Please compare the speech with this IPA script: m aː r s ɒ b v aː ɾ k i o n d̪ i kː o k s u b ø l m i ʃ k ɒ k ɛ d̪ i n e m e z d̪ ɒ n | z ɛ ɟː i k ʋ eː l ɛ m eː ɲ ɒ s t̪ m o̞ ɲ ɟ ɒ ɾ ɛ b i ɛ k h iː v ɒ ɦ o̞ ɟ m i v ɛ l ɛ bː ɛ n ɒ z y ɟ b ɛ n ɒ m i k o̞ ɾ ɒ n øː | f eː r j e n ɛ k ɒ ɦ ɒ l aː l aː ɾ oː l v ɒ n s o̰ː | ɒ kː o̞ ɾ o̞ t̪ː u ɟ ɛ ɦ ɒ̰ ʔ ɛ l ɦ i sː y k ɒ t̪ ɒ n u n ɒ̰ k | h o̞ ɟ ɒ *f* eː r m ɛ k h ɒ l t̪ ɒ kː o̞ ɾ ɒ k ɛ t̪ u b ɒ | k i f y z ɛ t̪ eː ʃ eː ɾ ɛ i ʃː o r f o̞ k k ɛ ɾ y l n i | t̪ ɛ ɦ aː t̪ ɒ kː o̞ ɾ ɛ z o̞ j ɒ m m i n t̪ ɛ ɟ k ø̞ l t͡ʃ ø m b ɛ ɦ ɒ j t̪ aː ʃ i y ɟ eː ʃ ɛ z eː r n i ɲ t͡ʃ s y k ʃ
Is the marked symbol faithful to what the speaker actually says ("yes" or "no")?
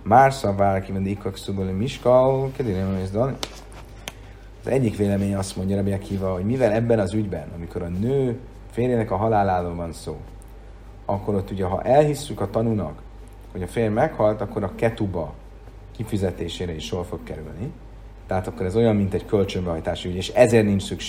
yes